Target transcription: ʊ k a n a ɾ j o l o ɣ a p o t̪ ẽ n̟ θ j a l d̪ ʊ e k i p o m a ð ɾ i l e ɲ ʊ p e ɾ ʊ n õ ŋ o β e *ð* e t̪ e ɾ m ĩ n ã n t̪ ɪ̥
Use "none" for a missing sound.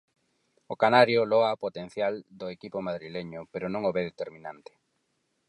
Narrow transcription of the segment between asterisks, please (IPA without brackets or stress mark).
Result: ð